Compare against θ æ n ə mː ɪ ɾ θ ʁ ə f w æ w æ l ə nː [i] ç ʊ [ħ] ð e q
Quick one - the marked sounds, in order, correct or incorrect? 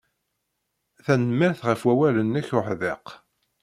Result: incorrect: æ, correct

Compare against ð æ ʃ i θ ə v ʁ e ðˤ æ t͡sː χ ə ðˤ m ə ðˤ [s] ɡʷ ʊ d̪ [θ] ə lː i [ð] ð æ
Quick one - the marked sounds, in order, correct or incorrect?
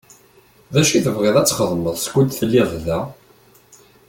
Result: correct, correct, correct

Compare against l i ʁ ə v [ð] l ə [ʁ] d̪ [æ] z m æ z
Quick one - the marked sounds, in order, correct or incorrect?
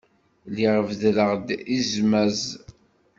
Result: correct, correct, incorrect: i

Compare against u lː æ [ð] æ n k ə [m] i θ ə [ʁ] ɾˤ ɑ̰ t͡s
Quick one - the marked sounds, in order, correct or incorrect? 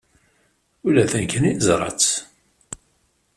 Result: incorrect: θ, incorrect: n, incorrect: z

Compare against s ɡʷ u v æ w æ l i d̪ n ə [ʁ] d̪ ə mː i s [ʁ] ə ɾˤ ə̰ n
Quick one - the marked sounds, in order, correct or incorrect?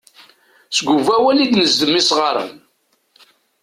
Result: incorrect: z, correct

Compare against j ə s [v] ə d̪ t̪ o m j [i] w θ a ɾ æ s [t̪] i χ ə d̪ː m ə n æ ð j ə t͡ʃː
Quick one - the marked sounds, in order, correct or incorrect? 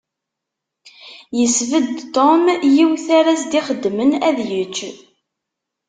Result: correct, correct, incorrect: d̪

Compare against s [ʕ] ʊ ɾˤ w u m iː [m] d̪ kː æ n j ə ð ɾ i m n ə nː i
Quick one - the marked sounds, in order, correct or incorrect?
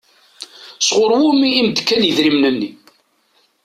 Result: incorrect: ʁ, correct

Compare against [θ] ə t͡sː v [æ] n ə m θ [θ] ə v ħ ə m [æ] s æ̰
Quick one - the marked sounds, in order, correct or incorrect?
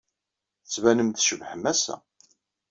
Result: correct, correct, incorrect: ʃ, correct

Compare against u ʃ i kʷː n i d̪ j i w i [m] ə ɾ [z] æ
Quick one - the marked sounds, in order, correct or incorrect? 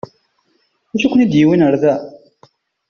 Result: incorrect: n, incorrect: ð

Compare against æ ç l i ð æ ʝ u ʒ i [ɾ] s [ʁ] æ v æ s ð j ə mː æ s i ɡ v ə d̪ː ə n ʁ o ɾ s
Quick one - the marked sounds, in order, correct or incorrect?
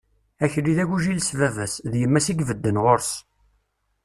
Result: incorrect: l, incorrect: v

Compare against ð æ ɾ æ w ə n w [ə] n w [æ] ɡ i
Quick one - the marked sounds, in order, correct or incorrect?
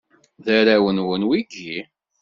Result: correct, incorrect: i

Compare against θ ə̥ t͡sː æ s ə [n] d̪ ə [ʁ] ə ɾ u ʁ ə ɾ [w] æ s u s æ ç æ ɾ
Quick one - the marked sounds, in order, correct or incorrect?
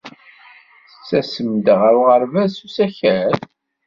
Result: incorrect: m, correct, incorrect: v

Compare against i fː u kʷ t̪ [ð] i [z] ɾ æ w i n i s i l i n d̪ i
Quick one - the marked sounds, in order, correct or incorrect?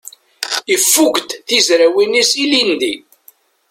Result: incorrect: θ, correct

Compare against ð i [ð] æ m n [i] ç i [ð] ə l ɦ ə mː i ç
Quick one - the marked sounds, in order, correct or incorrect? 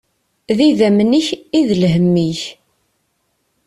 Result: correct, correct, correct

